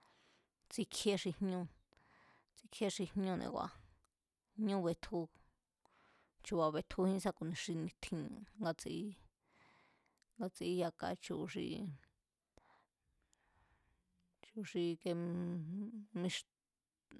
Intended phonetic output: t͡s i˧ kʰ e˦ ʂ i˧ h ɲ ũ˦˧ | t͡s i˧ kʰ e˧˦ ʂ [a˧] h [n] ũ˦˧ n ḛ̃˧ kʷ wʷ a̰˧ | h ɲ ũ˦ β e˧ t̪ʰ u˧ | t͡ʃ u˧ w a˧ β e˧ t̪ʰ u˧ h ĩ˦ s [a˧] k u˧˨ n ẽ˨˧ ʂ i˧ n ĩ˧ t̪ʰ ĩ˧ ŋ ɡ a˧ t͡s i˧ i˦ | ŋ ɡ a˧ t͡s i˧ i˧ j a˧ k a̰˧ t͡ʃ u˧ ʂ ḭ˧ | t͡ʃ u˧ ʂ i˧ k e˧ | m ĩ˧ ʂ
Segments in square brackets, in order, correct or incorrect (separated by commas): incorrect, incorrect, correct